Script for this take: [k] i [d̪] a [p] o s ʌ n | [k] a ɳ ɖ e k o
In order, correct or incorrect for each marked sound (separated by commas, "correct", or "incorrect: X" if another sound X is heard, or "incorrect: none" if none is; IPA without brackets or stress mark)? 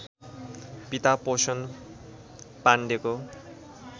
incorrect: p, incorrect: t̪, correct, incorrect: p